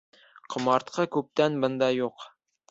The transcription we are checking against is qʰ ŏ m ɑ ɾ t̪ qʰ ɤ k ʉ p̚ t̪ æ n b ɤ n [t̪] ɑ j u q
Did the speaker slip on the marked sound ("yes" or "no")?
yes